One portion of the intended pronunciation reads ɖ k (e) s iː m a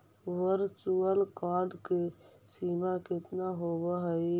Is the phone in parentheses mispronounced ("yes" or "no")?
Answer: no